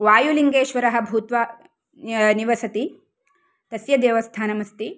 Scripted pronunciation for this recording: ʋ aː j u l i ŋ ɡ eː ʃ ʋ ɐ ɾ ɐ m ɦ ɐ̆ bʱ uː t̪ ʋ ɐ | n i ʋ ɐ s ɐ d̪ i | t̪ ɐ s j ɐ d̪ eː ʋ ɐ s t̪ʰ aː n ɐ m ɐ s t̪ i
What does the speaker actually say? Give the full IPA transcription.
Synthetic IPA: ʋ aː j u l i ŋ ɡ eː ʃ ʋ ɐ ɾ ɐ ɦ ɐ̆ bʱ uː t̪ ʋ ɐ | n i ʋ ɐ s ɐ t̪ i | t̪ ɐ s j ɐ d̪ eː ʋ ɐ s t̪ʰ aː n ɐ m ɐ s t̪ i